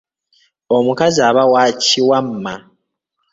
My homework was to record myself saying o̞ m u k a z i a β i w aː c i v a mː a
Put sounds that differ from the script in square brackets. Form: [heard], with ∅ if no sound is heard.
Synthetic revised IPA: o̞ m u k a z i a β [a] w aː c i [w] a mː a